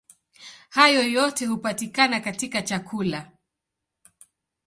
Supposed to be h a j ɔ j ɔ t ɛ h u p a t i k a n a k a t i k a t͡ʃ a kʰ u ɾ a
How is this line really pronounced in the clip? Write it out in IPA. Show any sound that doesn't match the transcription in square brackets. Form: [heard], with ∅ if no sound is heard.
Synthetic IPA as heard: h a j ɔ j ɔ t ɛ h u p a t i k a n a k a t i k a t͡ʃ a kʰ u [l] a